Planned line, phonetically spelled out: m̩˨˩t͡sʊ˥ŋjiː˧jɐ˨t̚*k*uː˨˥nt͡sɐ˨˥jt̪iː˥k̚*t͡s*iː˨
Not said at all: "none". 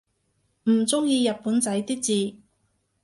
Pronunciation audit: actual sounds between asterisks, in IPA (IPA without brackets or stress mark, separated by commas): p, t͡s